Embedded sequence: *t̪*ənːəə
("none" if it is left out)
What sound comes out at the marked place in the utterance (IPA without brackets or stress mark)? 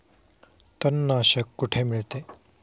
t̪